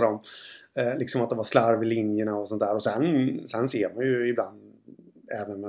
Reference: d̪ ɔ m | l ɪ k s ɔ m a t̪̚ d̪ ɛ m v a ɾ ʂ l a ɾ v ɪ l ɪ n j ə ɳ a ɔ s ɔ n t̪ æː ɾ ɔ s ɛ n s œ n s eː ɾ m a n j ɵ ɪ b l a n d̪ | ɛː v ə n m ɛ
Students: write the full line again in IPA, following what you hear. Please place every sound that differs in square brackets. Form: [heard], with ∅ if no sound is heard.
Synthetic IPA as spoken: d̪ ɔ m | l ɪ k s ɔ m a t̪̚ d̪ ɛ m v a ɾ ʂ l a ɾ v ɪ l ɪ n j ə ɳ a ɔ s ɔ n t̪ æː ɾ ɔ s ɛ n s [ɛ] n s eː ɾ m a n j ɵ ɪ b l a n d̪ | ɛː v ə n m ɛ